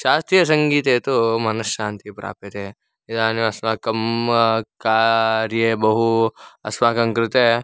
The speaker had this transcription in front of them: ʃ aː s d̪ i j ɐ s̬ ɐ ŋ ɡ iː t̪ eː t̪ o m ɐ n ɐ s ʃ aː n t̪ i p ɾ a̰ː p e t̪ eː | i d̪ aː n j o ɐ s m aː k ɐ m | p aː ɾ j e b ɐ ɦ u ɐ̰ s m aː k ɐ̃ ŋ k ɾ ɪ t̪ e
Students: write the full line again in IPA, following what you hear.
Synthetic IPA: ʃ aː s t̪ i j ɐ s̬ ɐ ŋ ɡ iː t̪ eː t̪ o m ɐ n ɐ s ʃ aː n t̪ i p ɾ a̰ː p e t̪ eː | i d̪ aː n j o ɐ s m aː k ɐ m | k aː ɾ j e b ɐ ɦ u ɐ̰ s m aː k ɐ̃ ŋ k ɾ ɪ t̪ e

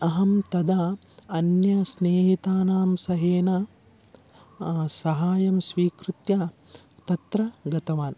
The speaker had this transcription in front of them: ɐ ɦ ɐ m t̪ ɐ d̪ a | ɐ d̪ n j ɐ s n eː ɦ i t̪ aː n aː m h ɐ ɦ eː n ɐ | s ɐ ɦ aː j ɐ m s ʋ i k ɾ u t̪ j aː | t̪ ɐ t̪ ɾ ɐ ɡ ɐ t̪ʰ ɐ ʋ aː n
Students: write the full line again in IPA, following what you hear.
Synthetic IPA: ɐ ɦ ɐ m t̪ ɐ d̪ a | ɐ n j ɐ s n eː ɦ i t̪ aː n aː m s ɐ ɦ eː n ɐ | s ɐ ɦ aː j ɐ m s ʋ iː k ɾ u t̪ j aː | t̪ ɐ t̪ ɾ ɐ ɡ ɐ t̪ ɐ ʋ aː n

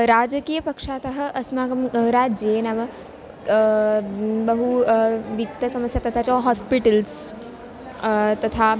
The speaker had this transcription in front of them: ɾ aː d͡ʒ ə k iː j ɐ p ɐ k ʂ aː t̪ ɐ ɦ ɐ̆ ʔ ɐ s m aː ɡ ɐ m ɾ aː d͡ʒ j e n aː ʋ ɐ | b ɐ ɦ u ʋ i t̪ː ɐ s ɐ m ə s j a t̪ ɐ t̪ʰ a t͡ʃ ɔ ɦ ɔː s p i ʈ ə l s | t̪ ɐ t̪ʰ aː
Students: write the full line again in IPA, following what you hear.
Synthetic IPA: ɾ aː d͡ʒ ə k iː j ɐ p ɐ k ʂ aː t̪ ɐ ɦ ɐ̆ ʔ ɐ s m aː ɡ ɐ m ɾ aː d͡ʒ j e n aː ʋ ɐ | b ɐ ɦ u ʋ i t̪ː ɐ s ɐ m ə s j a t̪ ɐ t̪ʰ a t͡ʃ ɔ ɦ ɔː s p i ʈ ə l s | t̪ ɐ t̪ʰ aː

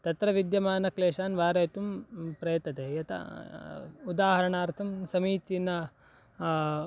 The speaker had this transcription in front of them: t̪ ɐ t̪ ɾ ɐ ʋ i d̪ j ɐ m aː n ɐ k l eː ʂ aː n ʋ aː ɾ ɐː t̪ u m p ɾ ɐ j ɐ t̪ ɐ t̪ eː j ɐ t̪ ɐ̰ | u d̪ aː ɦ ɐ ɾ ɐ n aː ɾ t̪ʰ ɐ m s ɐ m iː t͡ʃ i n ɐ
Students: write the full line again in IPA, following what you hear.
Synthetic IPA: t̪ ɐ t̪ ɾ ɐ ʋ i d̪ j ɐ m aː n ɐ k l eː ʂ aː n ʋ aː ɾ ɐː t̪ u m p ɾ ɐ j ɐ t̪ ɐ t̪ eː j ɐ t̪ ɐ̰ | u d̪ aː ɦ ɐ ɾ ɐ ɳ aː ɾ t̪ʰ ɐ m s ɐ m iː t͡ʃ i n ɐ

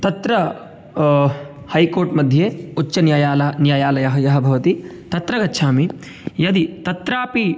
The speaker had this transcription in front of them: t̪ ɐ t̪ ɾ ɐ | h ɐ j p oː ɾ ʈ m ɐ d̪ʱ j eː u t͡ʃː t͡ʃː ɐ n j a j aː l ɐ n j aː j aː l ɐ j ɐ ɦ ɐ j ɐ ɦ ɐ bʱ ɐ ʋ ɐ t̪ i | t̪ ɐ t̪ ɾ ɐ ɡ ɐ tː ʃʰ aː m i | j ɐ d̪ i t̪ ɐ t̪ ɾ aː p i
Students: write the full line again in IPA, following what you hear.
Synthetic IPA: t̪ ɐ t̪ ɾ ɐ | h ɐ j k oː ɾ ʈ m ɐ d̪ʱ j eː u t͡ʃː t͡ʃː ɐ n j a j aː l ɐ n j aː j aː l ɐ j ɐ ɦ ɐ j ɐ ɦ ɐ bʱ ɐ ʋ ɐ t̪ i | t̪ ɐ t̪ ɾ ɐ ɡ ɐ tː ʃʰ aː m i | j ɐ d̪ i t̪ ɐ t̪ ɾ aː p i

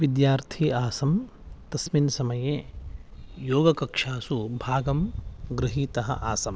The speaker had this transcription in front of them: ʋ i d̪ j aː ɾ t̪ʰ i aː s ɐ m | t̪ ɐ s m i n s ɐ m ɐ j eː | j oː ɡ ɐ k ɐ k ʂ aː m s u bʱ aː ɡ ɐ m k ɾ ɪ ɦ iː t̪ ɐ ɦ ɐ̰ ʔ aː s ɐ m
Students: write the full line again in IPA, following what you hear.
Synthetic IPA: ʋ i d̪ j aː ɾ t̪ʰ i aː s ɐ m | t̪ ɐ s m i n s ɐ m ɐ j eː | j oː ɡ ɐ k ɐ k ʂ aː s u bʱ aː ɡ ɐ m ɡ ɾ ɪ ɦ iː t̪ ɐ ɦ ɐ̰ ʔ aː s ɐ m

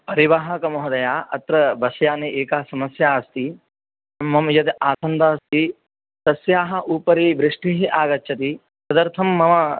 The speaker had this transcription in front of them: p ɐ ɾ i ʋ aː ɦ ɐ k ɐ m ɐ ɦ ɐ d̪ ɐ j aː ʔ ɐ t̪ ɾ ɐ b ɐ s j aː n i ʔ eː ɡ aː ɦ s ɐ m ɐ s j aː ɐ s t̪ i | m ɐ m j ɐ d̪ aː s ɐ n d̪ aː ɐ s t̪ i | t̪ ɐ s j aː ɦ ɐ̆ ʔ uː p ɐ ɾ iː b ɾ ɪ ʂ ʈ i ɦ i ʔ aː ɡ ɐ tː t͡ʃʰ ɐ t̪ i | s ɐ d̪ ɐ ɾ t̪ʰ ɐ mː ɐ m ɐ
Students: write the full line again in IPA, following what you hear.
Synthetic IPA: p ɐ ɾ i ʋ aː ɦ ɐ k ɐ m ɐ ɦ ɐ d̪ ɐ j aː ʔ ɐ t̪ ɾ ɐ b ɐ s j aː n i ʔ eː k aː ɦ s ɐ m ɐ s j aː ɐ s t̪ i | m ɐ m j ɐ d̪ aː s ɐ n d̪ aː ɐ s t̪ i | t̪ ɐ s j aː ɦ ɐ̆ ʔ uː p ɐ ɾ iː b ɾ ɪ ʂ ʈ i ɦ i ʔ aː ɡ ɐ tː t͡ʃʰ ɐ t̪ i | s ɐ d̪ ɐ ɾ t̪ʰ ɐ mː ɐ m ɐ

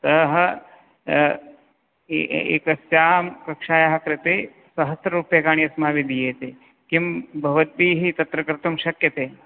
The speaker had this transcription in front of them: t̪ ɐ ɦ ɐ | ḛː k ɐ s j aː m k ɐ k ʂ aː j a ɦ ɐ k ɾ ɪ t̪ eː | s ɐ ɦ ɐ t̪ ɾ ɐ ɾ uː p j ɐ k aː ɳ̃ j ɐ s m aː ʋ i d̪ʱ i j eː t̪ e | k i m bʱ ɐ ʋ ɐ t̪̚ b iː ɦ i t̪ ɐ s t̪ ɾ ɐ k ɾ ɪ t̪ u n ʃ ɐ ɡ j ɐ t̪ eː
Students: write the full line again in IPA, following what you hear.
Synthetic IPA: t̪ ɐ ɦ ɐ | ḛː k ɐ s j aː m k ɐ k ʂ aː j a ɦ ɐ k ɾ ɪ t̪ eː | s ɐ ɦ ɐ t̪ ɾ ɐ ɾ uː p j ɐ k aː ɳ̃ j ɐ s m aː ʋ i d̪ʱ i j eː t̪ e | k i m bʱ ɐ ʋ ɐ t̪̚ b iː ɦ i t̪ ɐ t̪ ɾ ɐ k ɾ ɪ t̪ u m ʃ ɐ k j ɐ t̪ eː

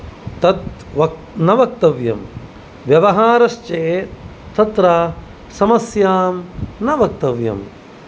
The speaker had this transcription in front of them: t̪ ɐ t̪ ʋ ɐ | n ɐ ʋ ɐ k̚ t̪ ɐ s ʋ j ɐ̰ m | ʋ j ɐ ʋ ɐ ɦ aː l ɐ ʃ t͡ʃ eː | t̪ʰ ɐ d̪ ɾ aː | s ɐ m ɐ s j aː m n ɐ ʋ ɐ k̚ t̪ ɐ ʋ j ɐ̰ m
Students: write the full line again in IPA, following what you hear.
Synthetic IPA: t̪ ɐ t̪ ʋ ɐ | n ɐ ʋ ɐ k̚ t̪ ɐ ʋ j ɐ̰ m | ʋ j ɐ ʋ ɐ ɦ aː ɾ ɐ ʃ t͡ʃ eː | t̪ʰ ɐ t̪ ɾ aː | s ɐ m ɐ s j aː m n ɐ ʋ ɐ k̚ t̪ ɐ ʋ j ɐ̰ m

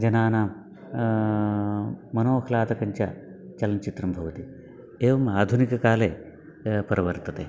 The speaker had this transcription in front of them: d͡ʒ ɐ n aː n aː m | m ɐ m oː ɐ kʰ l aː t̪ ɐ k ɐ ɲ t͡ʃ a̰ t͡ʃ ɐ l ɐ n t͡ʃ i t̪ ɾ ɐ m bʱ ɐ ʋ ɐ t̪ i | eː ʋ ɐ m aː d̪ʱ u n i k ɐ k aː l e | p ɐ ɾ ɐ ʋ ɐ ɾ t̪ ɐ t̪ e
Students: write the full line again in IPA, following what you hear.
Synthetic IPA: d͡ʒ ɐ n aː n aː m | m ɐ n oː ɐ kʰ l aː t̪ ɐ k ɐ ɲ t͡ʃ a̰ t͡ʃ ɐ l ɐ n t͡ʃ i t̪ ɾ ɐ m bʱ ɐ ʋ ɐ t̪ i | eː ʋ ɐ m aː d̪ʱ u n i k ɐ k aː l e | p ɐ ɾ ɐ ʋ ɐ ɾ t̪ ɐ t̪ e

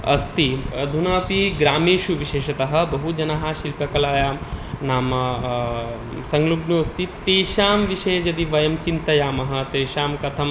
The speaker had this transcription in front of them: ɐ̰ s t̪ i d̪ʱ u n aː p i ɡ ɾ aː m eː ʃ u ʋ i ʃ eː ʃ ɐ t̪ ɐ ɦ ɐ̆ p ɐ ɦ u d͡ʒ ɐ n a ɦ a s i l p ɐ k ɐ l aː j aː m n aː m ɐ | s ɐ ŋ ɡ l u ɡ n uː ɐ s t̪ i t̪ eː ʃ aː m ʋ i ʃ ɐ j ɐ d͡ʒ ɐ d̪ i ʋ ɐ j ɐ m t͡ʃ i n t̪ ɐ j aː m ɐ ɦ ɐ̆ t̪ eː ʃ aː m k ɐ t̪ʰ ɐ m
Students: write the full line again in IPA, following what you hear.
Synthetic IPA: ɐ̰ s t̪ i d̪ʱ u n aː p i ɡ ɾ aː m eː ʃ u ʋ i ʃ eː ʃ ɐ t̪ ɐ ɦ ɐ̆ b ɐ ɦ u d͡ʒ ɐ n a ɦ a ʃ i l p ɐ k ɐ l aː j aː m n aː m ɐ | s ɐ ŋ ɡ l u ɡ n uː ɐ s t̪ i t̪ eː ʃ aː m ʋ i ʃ ɐ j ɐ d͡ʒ ɐ d̪ i ʋ ɐ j ɐ m t͡ʃ i n t̪ ɐ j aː m ɐ ɦ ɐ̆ t̪ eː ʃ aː m k ɐ t̪ʰ ɐ m

